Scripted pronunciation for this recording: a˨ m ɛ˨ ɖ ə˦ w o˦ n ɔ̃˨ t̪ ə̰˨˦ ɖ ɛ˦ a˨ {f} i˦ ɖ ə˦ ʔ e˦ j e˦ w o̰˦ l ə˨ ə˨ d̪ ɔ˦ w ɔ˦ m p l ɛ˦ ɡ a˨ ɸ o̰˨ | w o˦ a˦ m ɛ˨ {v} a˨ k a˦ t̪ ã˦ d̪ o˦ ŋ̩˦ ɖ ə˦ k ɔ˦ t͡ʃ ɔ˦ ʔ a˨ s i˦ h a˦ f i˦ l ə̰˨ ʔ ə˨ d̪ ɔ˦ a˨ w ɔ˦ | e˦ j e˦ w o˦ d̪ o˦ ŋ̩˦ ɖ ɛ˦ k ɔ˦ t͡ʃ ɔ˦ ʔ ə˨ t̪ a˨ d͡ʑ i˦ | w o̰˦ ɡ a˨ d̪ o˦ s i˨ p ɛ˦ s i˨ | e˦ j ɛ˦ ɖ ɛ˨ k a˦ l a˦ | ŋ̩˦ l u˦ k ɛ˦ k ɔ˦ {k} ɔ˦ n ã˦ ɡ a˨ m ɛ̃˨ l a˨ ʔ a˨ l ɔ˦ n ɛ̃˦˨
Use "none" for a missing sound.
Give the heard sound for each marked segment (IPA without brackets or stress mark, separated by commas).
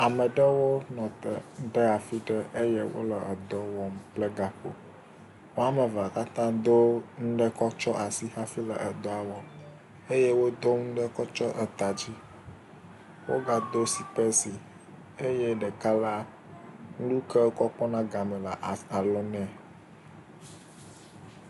f, v, k͡p